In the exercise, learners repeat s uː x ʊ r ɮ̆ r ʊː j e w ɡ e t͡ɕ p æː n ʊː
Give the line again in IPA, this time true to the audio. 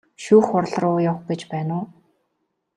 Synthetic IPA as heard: ʃ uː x ʊ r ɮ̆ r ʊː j a w ɡ e t͡ɕ p æː n ʊː